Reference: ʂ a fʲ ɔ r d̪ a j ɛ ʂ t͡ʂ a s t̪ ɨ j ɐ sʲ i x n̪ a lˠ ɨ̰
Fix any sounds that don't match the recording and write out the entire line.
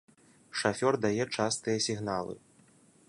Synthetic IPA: ʂ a fʲ ɔ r d̪ a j ɛ t͡ʂ a s t̪ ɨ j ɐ sʲ i ɣ n̪ a lˠ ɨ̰